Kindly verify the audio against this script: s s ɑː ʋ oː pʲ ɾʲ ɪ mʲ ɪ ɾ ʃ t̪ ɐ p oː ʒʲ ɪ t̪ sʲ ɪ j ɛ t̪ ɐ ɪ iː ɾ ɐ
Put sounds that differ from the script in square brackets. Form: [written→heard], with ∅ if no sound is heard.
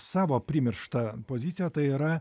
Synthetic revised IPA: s s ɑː ʋ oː pʲ ɾʲ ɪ mʲ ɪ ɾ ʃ t̪ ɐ p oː [ʒʲ→zʲ] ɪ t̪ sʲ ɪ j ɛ t̪ ɐ ɪ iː ɾ ɐ